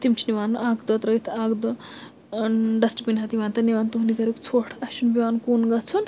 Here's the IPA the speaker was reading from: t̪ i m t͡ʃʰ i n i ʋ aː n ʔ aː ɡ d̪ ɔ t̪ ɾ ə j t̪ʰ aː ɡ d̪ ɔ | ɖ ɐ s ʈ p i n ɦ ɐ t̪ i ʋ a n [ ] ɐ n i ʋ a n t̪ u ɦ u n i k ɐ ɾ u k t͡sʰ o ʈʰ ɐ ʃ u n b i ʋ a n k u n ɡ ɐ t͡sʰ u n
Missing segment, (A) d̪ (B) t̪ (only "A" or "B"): B